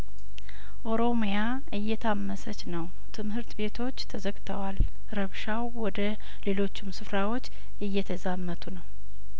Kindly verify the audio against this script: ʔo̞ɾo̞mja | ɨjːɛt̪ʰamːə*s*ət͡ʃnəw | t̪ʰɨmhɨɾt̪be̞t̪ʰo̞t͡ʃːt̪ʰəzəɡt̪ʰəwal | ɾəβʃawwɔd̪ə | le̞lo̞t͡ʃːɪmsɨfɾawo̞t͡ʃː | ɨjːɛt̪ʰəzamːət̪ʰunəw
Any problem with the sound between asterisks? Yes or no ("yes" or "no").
no